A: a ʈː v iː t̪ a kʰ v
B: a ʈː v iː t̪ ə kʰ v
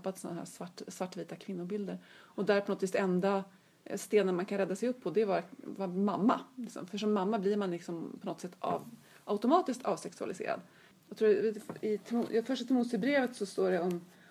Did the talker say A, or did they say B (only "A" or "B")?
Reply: A